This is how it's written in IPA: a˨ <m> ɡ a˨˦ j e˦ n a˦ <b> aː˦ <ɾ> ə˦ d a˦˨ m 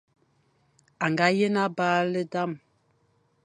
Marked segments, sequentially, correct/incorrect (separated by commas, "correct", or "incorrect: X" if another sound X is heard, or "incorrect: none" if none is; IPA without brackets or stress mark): incorrect: ŋ, correct, incorrect: l